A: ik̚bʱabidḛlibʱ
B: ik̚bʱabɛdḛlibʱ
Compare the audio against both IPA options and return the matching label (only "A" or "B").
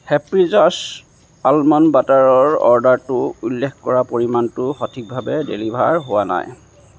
B